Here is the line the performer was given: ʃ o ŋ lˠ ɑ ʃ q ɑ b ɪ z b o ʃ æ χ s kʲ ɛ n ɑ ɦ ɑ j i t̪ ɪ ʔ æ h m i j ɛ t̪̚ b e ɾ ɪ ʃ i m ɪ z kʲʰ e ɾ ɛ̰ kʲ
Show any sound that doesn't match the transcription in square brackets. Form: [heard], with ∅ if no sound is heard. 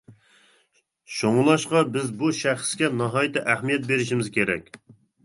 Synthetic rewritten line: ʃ o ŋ lˠ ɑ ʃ q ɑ b ɪ z b [u] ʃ æ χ s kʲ ɛ n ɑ ɦ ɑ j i t̪ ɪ ʔ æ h m i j ɛ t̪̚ b e ɾ ɪ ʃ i m ɪ z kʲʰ e ɾ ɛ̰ kʲ